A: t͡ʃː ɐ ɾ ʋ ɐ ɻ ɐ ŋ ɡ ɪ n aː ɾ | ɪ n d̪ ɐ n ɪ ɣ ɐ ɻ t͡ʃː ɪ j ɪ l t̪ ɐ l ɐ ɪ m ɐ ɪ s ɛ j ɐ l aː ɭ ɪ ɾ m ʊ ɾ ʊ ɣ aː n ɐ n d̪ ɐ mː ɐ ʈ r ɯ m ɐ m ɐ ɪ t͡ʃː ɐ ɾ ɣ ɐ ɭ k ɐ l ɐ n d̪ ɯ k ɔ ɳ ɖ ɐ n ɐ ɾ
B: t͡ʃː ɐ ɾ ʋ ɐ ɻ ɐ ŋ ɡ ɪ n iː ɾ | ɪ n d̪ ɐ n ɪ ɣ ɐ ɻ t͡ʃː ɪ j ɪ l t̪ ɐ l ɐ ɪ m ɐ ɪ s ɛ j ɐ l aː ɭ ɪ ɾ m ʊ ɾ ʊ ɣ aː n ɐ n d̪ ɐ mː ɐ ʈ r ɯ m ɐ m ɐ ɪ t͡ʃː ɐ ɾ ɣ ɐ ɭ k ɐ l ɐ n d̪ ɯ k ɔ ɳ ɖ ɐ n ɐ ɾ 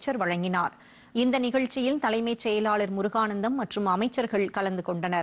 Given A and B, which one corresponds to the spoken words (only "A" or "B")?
A